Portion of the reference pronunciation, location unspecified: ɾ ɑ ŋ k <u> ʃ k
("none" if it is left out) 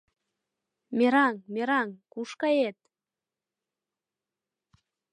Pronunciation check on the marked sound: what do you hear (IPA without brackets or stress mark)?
u